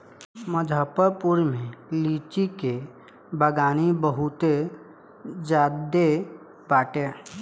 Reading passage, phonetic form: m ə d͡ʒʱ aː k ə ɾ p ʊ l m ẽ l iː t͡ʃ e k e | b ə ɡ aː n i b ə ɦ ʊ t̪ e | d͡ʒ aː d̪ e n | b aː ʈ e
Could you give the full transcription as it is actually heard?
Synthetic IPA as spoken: m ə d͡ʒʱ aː p ə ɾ p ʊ ɾ m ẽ l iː t͡ʃ i k e | b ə ɡ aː n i b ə ɦ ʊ t̪ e | d͡ʒ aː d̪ e | b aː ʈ e